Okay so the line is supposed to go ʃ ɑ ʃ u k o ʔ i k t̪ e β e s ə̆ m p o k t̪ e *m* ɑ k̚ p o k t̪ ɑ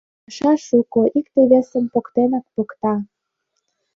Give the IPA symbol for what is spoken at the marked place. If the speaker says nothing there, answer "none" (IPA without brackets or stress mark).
n